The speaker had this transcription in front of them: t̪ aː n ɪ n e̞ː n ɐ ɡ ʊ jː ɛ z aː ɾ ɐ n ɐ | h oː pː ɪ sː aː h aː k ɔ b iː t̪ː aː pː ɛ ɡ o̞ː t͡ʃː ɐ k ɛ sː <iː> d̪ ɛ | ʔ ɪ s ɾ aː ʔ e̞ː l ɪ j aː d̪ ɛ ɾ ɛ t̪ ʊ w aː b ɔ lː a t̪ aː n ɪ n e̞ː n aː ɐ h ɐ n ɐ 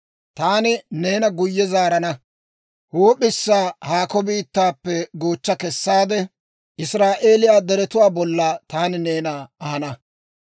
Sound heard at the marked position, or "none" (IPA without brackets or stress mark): aː